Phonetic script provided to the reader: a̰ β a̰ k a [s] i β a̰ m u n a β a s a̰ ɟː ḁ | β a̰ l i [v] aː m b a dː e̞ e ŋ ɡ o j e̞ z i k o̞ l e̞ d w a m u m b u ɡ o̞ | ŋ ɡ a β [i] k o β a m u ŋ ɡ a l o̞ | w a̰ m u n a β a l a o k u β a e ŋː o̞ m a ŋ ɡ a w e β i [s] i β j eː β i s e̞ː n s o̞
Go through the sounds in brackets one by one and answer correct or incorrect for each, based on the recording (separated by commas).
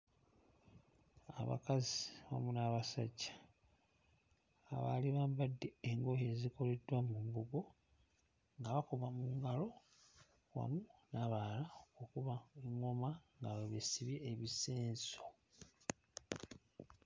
incorrect, incorrect, incorrect, correct